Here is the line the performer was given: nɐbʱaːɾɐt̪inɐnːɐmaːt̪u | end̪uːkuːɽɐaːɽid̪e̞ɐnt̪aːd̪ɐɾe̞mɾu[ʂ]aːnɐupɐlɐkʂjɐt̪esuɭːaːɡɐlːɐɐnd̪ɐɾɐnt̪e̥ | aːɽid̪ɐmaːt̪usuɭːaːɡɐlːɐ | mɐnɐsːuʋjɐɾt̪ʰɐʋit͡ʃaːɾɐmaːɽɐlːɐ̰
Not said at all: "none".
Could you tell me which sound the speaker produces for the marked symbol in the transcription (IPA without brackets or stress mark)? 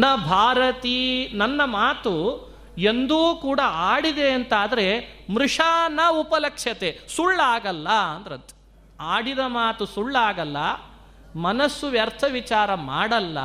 ʂ